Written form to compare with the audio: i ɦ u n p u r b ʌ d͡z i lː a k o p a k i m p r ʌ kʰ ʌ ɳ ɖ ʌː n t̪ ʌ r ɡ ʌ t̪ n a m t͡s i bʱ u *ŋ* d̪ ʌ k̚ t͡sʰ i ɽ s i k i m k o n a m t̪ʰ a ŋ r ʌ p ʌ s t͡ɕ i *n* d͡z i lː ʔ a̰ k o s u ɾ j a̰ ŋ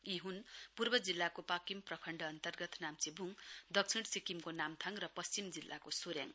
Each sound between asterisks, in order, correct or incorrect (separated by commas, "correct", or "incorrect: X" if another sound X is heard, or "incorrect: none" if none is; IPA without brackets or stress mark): correct, incorrect: m